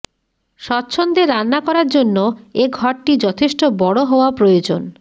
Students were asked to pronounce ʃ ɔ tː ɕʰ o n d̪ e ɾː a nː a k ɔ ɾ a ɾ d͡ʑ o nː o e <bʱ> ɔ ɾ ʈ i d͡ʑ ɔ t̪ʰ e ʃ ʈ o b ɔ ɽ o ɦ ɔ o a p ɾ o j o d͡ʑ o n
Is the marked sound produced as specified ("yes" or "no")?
no